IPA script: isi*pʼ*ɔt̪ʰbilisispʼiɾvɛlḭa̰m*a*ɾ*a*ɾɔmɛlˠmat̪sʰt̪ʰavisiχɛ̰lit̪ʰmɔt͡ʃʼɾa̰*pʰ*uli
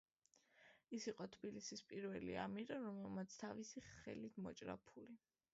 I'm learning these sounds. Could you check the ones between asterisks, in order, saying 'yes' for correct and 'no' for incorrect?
no, no, yes, yes

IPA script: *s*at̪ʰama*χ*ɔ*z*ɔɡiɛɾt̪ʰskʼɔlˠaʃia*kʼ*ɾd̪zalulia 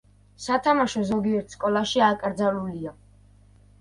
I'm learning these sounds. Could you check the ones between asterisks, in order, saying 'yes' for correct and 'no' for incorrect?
yes, no, yes, yes

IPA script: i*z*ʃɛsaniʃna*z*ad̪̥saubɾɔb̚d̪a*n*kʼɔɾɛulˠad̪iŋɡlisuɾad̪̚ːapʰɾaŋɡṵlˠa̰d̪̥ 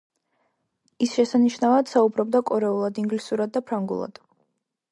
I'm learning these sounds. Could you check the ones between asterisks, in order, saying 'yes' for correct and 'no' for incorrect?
no, no, no

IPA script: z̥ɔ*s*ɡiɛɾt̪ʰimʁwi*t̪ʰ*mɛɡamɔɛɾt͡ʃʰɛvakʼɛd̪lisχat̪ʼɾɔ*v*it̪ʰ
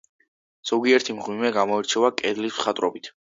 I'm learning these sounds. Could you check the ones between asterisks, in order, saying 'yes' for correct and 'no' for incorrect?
no, no, no

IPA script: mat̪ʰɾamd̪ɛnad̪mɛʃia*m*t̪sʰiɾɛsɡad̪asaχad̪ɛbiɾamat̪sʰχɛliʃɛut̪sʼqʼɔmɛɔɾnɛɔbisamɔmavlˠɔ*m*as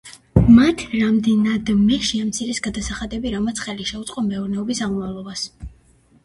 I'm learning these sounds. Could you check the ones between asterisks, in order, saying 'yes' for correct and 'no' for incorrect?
yes, no

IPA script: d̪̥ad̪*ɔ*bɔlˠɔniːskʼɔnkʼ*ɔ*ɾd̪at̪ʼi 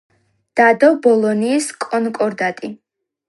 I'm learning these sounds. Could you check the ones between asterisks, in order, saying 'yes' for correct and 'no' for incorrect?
yes, yes

